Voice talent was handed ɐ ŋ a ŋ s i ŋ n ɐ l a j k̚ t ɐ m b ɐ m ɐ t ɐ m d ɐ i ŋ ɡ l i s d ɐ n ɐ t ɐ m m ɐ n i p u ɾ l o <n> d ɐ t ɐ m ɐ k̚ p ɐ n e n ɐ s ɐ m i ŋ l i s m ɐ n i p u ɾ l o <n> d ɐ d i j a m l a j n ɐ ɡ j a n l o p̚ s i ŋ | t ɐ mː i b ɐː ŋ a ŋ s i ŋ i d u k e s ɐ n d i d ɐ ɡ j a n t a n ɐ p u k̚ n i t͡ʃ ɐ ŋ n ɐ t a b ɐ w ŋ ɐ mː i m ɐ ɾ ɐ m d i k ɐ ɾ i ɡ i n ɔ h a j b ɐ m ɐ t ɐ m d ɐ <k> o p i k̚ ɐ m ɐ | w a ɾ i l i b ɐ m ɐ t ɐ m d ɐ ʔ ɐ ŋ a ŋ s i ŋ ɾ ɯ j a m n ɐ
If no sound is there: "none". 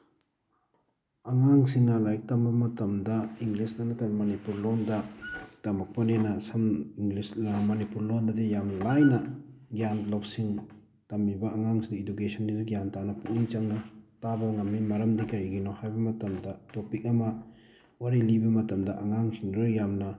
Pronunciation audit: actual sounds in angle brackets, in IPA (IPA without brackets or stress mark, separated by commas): n, n, t